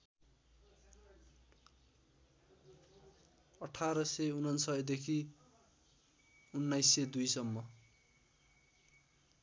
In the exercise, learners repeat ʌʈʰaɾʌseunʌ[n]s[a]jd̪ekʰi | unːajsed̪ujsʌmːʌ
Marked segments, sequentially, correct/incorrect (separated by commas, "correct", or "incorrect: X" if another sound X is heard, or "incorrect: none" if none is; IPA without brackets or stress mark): correct, incorrect: ʌ